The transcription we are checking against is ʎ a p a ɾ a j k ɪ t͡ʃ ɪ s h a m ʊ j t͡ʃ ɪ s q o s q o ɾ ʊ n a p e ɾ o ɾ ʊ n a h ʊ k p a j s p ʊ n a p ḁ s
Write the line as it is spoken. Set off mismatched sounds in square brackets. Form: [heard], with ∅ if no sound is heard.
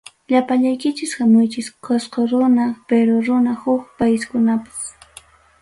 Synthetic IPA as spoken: ʎ a p a [ʎ] a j k ɪ t͡ʃ ɪ s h a m ʊ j t͡ʃ ɪ s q o s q o ɾ ʊ n a p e ɾ o ɾ ʊ n a h ʊ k p a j s [k] ʊ n a p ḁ s